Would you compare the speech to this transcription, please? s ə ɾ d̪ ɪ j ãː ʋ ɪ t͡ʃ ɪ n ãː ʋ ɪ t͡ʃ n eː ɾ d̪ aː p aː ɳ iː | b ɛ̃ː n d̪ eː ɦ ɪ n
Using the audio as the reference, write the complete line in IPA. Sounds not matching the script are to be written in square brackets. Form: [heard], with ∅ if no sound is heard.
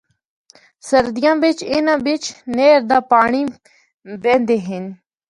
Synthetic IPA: s ə ɾ d̪ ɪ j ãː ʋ ɪ t͡ʃ ɪ n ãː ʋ ɪ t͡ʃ n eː ɾ d̪ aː p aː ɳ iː | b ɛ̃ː n d̪ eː ɦ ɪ n